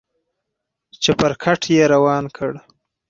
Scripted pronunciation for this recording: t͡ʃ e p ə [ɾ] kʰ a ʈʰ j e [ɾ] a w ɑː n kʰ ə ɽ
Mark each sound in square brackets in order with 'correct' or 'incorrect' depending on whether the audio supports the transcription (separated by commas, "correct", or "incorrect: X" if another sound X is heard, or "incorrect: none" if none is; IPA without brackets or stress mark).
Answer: correct, correct